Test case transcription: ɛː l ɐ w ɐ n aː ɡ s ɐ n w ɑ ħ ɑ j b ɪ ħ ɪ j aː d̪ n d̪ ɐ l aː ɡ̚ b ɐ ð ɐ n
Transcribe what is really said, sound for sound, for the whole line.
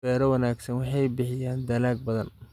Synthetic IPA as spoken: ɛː ɾ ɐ w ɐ n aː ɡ s ɐ n w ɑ ħ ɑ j b ɪ ħ ɪ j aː n d̪ ɐ l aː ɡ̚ b ɐ ð ɐ n